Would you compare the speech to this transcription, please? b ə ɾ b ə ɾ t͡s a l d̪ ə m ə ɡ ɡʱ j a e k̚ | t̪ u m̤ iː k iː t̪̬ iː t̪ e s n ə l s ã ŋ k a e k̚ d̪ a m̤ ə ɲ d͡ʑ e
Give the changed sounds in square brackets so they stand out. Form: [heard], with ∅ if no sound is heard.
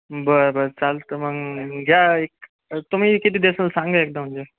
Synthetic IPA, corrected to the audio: b ə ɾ b ə ɾ t͡s a l [t̪] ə m ə ɡ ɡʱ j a e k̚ | t̪ u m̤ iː k [i] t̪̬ iː [d̪] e s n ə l s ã ŋ [ɡ] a e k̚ d̪ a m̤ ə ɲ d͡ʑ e